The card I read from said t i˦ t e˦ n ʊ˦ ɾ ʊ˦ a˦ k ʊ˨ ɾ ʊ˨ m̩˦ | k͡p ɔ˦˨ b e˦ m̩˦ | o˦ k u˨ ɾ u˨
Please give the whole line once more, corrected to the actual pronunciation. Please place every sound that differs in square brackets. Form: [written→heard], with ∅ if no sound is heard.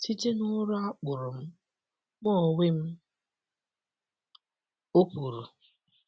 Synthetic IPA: t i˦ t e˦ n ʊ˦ ɾ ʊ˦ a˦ [k→k͡p] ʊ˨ ɾ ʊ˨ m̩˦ | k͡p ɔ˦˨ [b→w] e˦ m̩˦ | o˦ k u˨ ɾ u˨